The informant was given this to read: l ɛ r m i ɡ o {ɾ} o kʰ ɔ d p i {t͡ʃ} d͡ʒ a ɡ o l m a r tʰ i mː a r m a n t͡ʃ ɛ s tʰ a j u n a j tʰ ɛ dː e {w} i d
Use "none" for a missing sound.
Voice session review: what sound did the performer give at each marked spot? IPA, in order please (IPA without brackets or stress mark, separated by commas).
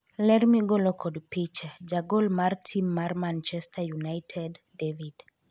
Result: l, t͡ʃ, v